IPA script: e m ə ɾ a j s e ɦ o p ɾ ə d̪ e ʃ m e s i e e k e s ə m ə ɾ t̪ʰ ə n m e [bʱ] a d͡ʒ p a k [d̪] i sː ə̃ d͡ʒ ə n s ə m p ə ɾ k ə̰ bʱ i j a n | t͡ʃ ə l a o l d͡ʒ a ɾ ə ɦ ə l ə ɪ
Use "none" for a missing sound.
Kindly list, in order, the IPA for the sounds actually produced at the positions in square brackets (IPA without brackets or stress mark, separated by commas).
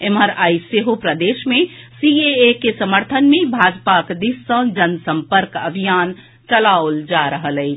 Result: bʱ, d̪